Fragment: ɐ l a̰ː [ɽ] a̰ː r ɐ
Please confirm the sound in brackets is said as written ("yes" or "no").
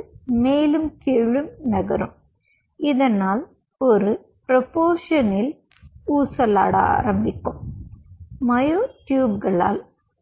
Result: yes